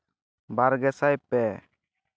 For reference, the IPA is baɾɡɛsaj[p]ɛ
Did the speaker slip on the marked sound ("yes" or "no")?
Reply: no